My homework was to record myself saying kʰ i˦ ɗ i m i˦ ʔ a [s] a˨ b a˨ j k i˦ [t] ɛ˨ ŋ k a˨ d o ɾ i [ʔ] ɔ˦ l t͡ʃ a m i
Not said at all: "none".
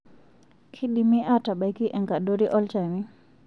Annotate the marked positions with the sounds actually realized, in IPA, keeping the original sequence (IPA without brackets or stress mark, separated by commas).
t, ʔ, ʔ